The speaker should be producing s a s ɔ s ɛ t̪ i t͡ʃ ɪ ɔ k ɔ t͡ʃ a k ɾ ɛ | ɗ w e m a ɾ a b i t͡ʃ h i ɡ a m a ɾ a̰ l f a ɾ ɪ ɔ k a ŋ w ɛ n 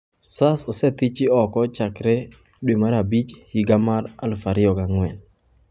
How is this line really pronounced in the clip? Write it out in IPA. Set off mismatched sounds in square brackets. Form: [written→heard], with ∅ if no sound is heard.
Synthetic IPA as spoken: s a s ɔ s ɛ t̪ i t͡ʃ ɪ ɔ k ɔ t͡ʃ a k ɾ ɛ | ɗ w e m a ɾ a b i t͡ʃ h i ɡ a m a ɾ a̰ l f a ɾ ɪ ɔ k a ŋ w ɛ n